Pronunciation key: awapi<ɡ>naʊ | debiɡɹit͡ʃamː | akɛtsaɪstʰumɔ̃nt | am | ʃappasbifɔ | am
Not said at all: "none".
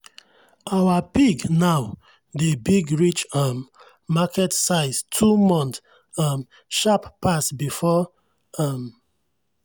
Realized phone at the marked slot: ɡ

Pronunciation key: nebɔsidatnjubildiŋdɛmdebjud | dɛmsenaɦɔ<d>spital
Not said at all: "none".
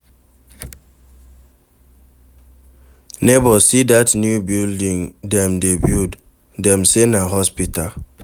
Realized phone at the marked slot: none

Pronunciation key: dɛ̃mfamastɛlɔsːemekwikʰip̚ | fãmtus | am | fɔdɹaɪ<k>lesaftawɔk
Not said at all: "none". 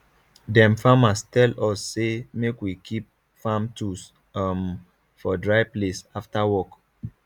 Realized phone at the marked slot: p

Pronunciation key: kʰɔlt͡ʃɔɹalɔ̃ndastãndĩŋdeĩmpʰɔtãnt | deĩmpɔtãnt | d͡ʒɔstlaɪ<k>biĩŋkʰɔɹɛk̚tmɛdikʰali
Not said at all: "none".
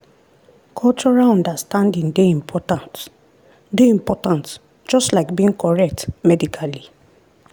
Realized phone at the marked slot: k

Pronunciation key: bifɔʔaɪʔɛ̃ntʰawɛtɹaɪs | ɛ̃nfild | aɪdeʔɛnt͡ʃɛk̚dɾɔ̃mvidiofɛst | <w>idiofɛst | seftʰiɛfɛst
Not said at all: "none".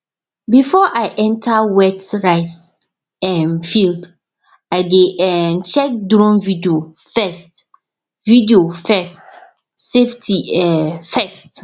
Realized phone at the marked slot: v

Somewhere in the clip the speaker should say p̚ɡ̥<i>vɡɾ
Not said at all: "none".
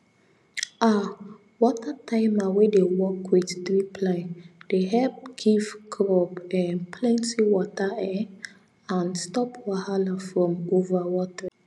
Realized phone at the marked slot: i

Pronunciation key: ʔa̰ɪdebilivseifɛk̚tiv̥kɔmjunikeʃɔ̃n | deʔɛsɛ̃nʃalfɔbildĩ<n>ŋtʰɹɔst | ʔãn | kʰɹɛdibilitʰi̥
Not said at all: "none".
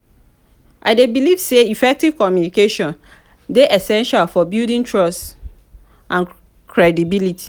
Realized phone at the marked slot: none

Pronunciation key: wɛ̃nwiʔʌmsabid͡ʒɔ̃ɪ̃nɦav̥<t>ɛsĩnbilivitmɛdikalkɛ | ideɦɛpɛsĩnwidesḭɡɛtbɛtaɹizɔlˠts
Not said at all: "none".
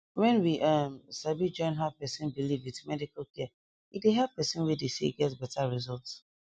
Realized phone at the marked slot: p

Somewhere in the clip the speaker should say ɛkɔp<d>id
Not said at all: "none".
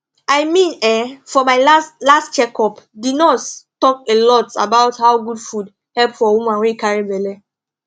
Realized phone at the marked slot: d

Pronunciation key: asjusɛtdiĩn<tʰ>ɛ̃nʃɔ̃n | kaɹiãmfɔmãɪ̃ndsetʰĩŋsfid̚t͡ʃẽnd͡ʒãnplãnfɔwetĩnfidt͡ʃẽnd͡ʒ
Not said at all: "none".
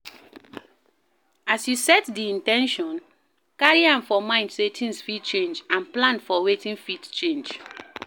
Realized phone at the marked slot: t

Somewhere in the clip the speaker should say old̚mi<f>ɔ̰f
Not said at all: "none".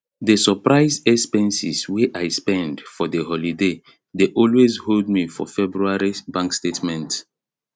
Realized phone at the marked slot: f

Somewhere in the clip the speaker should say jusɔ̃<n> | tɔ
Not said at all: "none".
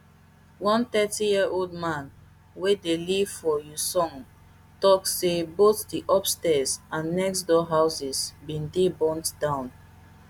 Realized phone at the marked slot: ŋ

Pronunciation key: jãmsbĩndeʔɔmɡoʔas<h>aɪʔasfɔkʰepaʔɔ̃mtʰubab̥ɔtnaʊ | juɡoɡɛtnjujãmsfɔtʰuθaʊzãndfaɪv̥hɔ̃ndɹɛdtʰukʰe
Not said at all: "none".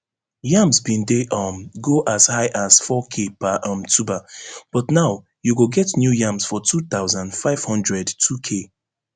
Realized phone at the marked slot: h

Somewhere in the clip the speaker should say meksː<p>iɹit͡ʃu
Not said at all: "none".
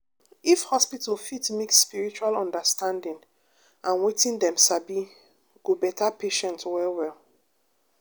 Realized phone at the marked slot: p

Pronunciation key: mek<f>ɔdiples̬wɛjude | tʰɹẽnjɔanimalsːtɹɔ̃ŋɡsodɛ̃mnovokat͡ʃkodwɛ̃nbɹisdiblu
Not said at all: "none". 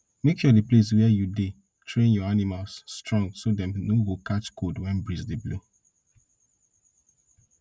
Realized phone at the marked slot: ʃ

